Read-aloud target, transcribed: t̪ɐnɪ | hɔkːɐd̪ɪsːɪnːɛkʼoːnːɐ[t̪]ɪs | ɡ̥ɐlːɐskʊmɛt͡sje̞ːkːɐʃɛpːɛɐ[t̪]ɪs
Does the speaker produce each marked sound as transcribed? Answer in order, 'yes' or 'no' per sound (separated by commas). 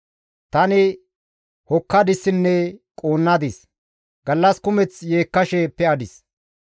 no, no